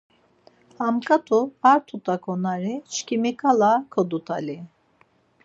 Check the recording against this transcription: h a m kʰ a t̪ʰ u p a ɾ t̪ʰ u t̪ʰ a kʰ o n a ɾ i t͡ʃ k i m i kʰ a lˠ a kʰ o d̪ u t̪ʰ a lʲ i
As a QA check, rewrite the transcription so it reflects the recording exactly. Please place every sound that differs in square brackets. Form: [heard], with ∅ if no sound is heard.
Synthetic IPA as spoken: h a m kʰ a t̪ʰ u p a ɾ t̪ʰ u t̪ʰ a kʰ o n a ɾ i t͡ʃ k i m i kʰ a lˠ a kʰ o d̪ u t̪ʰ a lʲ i